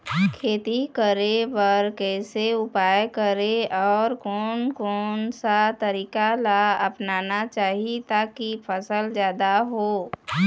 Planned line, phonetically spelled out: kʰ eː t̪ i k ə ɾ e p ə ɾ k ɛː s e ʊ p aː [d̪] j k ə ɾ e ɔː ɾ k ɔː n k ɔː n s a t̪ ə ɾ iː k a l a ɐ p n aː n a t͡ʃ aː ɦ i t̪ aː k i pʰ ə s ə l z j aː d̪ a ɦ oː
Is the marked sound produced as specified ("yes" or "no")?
no